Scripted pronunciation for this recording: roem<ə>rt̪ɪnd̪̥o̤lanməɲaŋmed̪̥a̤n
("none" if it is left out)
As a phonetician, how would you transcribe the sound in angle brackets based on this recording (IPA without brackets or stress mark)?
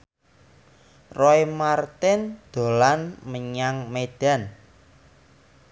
a